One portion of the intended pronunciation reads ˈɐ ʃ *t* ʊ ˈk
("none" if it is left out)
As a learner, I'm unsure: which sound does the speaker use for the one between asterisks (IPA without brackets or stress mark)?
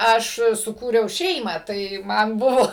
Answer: s